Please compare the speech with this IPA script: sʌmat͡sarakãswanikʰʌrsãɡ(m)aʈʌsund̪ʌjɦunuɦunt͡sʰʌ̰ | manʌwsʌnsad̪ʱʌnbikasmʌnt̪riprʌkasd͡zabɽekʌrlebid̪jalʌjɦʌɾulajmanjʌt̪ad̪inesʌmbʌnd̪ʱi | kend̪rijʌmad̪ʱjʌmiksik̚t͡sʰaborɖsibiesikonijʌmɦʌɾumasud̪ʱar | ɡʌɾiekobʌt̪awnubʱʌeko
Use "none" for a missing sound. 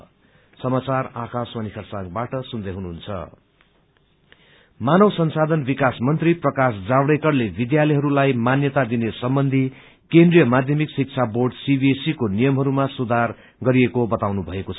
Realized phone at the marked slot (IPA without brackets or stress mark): b